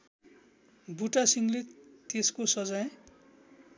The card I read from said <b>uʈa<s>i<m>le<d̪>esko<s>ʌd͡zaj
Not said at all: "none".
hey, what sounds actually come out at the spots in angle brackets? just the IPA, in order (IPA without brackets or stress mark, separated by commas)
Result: b, s, ŋ, t̪, s